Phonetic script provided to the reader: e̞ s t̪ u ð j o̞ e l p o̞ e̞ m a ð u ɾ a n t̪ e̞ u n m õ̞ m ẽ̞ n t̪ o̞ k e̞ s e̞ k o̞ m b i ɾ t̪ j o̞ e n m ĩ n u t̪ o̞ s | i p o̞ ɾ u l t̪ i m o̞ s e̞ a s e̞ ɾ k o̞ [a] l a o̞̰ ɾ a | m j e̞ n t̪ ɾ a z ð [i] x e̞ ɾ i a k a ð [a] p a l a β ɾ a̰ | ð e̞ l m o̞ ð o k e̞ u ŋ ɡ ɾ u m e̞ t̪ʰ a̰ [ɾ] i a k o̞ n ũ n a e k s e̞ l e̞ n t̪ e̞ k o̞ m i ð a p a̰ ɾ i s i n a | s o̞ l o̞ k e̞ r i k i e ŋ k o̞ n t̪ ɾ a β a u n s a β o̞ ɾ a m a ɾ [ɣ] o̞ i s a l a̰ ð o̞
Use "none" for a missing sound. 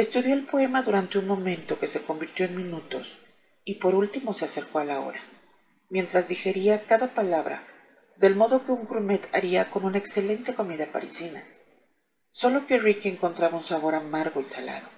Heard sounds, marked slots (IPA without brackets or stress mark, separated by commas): a, i, a, ɾ, ɣ